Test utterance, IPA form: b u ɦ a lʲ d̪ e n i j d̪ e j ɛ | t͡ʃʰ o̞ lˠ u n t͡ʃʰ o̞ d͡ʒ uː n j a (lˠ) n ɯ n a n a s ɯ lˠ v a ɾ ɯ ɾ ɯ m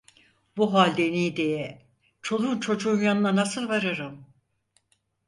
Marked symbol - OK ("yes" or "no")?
no